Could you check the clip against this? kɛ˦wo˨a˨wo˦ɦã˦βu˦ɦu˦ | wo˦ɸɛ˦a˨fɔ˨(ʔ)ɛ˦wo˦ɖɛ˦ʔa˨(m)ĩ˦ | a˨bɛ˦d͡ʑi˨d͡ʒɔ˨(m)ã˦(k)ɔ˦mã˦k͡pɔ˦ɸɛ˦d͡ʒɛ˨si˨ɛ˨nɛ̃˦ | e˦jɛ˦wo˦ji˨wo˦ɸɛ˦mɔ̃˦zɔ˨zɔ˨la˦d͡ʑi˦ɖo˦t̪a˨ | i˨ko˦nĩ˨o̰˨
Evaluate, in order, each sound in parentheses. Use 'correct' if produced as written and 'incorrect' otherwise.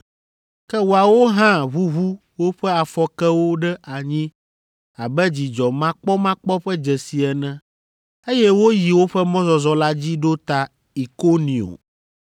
incorrect, incorrect, correct, incorrect

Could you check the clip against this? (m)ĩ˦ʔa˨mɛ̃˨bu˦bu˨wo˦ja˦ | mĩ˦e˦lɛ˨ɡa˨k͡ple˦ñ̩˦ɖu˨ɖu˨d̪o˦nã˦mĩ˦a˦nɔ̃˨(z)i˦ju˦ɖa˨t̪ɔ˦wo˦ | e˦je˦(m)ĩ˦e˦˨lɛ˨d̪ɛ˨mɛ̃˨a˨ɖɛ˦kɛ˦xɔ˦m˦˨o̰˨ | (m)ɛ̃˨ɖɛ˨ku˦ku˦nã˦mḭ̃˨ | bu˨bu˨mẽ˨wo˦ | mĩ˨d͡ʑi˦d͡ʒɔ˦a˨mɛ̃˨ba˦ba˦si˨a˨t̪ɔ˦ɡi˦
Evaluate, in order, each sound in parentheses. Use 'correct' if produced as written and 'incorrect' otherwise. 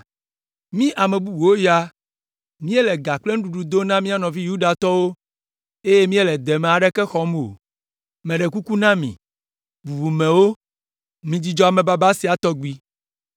correct, incorrect, correct, correct

